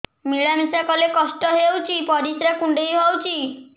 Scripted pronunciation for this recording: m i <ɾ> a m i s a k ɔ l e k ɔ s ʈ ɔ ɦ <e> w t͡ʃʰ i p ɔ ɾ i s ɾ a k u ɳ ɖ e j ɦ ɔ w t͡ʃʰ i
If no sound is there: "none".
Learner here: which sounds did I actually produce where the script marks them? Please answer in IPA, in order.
ɭ, e

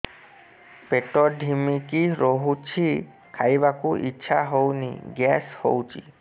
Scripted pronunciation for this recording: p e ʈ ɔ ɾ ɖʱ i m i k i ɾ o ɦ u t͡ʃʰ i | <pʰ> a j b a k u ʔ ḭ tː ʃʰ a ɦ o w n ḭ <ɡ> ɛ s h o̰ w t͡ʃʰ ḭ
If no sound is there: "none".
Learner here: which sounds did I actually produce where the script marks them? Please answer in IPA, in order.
kʰ, ɡ

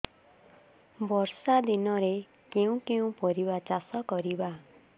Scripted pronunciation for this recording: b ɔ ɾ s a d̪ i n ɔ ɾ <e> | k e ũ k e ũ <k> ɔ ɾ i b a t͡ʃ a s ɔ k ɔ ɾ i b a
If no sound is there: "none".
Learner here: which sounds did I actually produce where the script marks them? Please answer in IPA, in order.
e, p

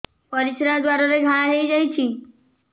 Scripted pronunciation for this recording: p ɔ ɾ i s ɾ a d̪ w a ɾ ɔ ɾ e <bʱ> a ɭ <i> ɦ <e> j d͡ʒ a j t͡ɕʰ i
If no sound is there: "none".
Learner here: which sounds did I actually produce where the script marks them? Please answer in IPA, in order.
ɡʱ, a, e

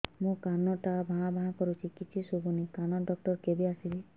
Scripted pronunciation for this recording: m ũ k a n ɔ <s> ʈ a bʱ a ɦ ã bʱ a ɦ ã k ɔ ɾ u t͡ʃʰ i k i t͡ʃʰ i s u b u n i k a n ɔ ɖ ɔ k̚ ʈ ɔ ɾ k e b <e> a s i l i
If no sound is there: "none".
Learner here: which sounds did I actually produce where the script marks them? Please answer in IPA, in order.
none, i

